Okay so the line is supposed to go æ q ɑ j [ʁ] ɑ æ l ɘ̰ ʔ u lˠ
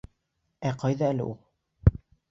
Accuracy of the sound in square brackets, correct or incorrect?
incorrect